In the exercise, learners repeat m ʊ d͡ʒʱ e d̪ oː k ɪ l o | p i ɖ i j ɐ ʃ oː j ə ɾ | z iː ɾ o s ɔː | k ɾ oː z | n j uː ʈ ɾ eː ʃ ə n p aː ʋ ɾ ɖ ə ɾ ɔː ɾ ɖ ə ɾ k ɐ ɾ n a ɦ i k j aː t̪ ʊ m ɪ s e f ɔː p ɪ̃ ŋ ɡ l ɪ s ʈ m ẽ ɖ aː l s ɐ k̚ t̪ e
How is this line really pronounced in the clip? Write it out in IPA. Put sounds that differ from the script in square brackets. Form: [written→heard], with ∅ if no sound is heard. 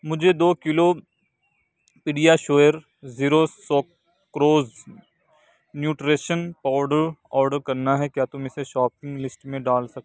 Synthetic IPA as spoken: m ʊ d͡ʒʱ e d̪ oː k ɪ l o | p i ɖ i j [ɐ→a] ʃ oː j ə ɾ | z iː ɾ o s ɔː | k ɾ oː z | n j uː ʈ ɾ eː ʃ ə n p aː ʋ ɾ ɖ ə ɾ ɔː ɾ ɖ ə ɾ k ɐ ɾ n a ɦ [i→ɛ] k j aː t̪ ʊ m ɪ s e [f→ʃ] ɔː p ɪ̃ ŋ ɡ l ɪ s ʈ m ẽ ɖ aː l s ɐ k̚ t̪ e